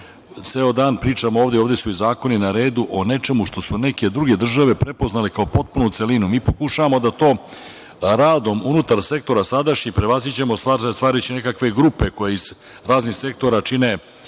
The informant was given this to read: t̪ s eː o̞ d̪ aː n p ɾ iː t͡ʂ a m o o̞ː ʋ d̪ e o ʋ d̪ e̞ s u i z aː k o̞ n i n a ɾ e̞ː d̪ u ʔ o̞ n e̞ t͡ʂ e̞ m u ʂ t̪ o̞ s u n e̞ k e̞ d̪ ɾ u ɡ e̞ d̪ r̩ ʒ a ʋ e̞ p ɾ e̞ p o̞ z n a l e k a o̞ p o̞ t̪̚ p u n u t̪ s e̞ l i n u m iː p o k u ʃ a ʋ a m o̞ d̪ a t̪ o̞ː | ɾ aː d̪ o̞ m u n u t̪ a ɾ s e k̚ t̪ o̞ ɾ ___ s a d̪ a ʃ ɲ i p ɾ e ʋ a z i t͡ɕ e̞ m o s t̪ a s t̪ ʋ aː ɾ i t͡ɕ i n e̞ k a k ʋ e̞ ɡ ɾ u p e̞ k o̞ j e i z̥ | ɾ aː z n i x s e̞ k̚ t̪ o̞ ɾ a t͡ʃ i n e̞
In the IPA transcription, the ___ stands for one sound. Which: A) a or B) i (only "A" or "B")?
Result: A